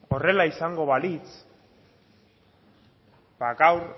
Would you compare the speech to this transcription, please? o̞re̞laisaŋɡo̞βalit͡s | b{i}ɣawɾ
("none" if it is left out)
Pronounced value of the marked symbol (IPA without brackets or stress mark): a